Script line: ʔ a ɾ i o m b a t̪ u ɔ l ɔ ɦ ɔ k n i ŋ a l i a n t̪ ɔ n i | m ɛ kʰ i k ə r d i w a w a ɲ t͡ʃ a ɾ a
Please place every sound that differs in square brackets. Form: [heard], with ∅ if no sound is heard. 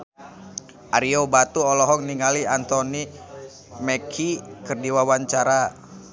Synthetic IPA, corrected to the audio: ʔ a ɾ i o [∅] b a t̪ u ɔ l ɔ ɦ ɔ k n i ŋ a l i a n t̪ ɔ n i | m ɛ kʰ i k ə r d i w a w a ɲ t͡ʃ a ɾ a